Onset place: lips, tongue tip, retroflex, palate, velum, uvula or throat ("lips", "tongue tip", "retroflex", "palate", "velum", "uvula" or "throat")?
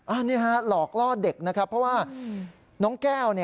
throat